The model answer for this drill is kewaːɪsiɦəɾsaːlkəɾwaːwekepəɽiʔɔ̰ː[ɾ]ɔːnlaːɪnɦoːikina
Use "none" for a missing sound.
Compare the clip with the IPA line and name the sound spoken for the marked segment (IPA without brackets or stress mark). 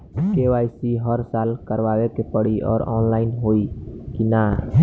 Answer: ɾ